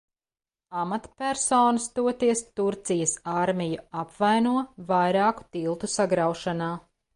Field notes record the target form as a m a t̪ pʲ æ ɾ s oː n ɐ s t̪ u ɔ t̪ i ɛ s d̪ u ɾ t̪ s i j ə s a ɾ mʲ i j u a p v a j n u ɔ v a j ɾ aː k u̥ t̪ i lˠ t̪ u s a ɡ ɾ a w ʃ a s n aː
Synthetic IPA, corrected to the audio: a m a t̪ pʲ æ ɾ s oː n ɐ s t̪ u ɔ t̪ i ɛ s t̪ u ɾ t̪ s i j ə s a ɾ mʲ i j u a p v a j n u ɔ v a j ɾ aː k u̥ t̪ i lˠ t̪ u s a ɡ ɾ a w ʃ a n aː